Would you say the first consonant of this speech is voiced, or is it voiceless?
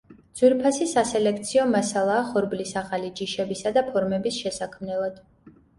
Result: voiced